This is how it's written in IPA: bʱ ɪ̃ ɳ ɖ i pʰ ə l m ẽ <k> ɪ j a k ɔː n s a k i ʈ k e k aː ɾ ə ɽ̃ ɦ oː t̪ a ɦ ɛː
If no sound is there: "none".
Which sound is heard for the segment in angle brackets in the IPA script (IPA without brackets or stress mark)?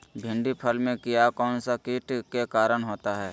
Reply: k